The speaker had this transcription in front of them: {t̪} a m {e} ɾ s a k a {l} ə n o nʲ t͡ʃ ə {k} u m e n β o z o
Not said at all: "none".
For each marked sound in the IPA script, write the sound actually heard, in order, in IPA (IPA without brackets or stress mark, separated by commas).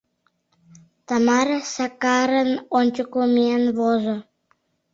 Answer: t̪, a, ɾ, k